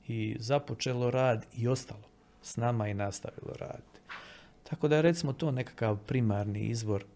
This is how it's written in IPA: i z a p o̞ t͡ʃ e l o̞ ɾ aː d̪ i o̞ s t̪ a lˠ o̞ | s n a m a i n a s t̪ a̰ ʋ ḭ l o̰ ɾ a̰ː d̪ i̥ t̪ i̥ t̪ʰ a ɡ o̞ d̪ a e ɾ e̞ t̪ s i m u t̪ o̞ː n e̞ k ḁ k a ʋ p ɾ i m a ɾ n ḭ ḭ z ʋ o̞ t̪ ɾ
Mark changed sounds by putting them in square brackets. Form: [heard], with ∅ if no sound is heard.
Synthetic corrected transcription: i z a p o̞ t͡ʃ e l o̞ ɾ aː d̪ i o̞ s t̪ a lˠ o̞ | s n a m a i n a s t̪ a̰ ʋ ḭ l o̰ ɾ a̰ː d̪ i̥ t̪ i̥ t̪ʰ a [k] o̞ d̪ a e ɾ e̞ t̪ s i m [o] t̪ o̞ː n e̞ k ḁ k a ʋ p ɾ i m a ɾ n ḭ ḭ z ʋ o̞ [∅] ɾ